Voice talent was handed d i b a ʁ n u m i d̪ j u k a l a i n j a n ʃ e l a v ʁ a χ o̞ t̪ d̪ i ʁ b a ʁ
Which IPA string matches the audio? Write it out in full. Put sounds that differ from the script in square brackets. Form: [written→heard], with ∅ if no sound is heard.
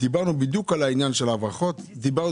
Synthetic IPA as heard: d i b a ʁ n u [m→b] i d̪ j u k a l a i n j a n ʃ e l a v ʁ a χ o̞ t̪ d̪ i [ʁ→∅] b a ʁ